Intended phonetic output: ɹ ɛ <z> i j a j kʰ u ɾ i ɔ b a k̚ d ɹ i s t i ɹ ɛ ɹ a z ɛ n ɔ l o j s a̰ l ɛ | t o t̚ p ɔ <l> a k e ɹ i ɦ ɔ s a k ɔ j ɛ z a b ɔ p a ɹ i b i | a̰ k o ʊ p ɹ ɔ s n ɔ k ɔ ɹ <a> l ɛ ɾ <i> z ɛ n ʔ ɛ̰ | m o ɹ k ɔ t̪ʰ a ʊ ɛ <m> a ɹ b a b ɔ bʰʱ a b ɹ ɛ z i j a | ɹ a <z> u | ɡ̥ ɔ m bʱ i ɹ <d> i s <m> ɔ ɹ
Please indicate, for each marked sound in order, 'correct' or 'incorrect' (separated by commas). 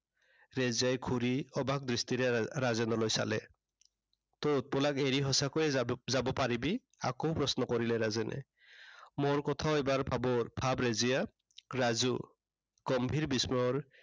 correct, correct, incorrect, incorrect, incorrect, correct, incorrect, correct